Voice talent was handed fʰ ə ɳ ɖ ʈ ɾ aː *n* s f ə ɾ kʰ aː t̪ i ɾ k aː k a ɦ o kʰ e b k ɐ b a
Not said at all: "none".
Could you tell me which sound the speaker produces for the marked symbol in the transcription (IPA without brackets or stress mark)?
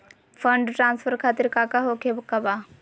n